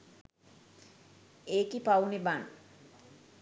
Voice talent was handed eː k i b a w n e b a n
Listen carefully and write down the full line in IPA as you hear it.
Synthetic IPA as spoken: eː k i p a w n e b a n